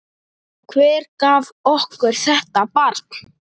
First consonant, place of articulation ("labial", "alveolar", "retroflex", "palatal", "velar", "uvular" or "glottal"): velar